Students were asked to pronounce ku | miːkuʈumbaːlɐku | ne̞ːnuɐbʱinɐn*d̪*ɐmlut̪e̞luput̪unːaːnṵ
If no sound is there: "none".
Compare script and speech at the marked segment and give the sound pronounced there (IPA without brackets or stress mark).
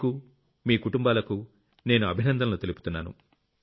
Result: d̪